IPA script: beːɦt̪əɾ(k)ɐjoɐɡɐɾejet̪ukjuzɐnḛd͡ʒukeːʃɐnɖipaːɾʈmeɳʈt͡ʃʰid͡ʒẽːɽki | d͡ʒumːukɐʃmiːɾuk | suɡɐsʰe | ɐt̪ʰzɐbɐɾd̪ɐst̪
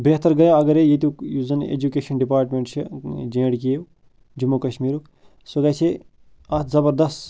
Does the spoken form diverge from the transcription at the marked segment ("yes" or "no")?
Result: yes